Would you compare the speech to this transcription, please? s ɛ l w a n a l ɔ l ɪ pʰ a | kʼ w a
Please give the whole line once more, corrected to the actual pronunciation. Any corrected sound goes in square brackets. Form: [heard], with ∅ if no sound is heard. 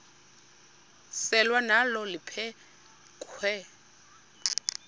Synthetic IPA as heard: s ɛ l w a n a l ɔ l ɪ pʰ [ɛ] | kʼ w [ɛ]